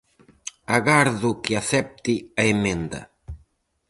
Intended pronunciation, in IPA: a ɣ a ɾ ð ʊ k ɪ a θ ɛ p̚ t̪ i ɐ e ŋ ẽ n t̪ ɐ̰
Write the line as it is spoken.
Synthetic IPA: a ɣ a ɾ ð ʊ k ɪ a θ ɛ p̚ t̪ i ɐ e m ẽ n d̪ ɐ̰